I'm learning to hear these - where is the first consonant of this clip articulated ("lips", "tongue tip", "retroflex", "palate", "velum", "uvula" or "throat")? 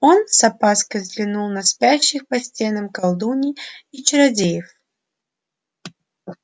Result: tongue tip